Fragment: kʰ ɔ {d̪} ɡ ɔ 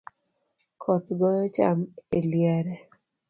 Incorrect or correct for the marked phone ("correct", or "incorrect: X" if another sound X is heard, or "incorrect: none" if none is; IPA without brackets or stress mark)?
incorrect: t̪